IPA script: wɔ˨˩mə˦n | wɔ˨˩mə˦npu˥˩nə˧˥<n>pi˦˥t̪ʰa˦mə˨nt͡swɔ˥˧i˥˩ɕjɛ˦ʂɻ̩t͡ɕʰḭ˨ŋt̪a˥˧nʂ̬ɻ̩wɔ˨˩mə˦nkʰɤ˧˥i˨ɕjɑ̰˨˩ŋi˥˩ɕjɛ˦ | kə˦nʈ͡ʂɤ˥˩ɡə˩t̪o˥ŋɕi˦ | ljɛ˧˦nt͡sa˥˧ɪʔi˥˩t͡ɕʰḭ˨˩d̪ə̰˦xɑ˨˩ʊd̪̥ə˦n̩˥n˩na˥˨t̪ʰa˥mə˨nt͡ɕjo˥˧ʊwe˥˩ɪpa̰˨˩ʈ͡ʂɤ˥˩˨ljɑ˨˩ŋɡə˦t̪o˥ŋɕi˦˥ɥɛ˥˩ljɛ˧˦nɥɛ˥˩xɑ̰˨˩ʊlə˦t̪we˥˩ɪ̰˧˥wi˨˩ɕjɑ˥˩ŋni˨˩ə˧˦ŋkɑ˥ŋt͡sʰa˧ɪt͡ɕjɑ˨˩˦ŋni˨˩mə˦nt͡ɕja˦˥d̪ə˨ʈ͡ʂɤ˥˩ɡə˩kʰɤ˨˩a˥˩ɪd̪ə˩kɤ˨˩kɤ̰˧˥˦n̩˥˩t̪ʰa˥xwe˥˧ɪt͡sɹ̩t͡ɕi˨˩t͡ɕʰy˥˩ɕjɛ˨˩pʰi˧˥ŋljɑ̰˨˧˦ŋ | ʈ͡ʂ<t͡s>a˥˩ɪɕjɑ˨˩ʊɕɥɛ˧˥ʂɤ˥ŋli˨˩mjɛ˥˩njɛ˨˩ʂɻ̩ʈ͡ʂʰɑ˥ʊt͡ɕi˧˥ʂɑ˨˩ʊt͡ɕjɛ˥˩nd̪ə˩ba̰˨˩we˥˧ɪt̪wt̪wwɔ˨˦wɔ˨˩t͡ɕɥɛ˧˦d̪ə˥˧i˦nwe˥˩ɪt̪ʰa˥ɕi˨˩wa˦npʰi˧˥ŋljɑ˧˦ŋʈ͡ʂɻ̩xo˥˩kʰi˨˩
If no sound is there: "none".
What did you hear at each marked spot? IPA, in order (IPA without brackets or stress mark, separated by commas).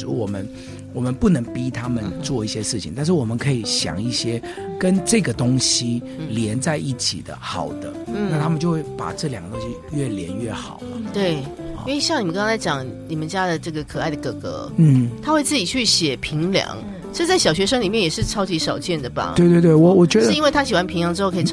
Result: ŋ, t͡s